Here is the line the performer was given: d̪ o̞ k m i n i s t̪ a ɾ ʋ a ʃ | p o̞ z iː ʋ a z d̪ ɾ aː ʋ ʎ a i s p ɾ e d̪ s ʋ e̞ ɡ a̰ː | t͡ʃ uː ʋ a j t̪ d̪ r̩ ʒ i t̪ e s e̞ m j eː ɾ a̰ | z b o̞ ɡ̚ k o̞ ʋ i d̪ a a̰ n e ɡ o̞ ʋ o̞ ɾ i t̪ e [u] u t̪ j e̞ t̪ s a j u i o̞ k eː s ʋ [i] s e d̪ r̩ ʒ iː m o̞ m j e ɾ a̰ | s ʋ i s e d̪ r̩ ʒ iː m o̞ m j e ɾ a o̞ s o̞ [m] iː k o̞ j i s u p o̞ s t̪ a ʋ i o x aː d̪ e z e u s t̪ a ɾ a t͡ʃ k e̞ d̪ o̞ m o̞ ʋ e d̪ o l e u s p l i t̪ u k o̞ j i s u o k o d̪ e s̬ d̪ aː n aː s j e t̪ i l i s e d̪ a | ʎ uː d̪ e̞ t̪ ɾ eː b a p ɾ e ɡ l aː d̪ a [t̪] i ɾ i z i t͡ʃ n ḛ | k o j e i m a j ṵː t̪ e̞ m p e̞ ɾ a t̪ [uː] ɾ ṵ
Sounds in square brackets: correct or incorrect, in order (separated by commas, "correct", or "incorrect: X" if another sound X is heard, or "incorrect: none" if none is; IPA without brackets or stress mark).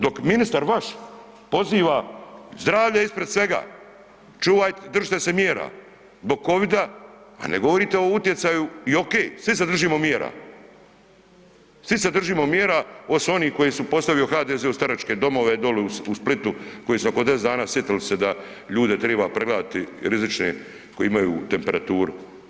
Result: incorrect: o, correct, incorrect: n, correct, correct